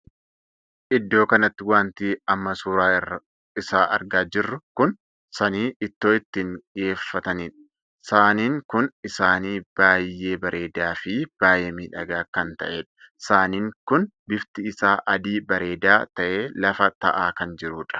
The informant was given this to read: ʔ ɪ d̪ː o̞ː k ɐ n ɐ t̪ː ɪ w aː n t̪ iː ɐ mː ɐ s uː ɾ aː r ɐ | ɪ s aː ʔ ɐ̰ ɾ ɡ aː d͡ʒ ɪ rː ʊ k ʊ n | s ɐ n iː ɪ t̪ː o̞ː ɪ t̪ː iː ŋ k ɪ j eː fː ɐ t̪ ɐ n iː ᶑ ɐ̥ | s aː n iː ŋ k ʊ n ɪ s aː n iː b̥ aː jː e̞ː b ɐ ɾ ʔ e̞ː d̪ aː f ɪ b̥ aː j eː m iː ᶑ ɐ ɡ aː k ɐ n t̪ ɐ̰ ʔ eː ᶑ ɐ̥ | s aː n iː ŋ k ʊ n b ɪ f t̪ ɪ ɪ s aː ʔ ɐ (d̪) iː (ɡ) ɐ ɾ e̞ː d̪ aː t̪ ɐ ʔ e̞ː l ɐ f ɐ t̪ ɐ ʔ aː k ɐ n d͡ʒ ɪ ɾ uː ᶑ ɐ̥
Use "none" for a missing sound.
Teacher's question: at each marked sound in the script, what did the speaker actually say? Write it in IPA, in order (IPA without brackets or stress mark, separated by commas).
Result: d̪, b